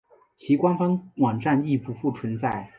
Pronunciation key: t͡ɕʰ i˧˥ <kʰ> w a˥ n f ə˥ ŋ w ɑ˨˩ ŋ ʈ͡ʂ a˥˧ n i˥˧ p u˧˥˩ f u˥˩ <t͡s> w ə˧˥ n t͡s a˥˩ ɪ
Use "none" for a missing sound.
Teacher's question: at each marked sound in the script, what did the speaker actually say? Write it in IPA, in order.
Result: k, t͡sʰ

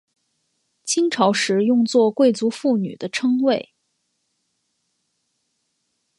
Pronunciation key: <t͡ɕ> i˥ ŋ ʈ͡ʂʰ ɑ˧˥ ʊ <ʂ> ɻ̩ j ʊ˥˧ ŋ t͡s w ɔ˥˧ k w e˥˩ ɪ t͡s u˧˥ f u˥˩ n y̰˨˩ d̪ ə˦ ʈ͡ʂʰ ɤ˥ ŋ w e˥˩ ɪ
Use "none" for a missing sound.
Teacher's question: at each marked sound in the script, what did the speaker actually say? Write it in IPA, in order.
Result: t͡ɕʰ, ʂ

